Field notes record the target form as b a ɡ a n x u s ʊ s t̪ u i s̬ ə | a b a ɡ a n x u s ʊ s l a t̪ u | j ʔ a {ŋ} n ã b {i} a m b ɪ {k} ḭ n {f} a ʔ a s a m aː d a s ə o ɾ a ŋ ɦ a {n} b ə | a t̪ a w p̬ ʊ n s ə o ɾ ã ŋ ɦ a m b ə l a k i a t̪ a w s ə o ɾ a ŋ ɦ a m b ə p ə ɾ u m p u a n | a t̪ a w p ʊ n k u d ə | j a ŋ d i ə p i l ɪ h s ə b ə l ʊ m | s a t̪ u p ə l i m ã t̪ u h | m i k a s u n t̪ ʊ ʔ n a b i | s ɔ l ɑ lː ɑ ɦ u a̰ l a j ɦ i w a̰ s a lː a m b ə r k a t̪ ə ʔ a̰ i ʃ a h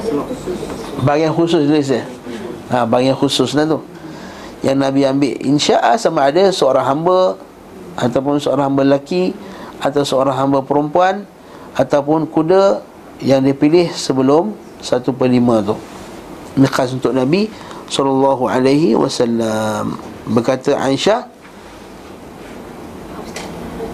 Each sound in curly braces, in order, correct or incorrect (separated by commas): correct, correct, incorrect, incorrect, incorrect